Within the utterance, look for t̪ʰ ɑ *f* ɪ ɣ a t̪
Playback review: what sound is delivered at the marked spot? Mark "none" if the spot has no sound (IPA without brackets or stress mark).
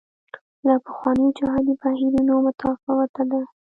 f